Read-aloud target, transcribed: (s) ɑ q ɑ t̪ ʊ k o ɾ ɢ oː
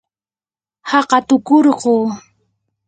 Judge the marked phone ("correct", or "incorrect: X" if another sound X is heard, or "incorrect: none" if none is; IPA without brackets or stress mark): incorrect: h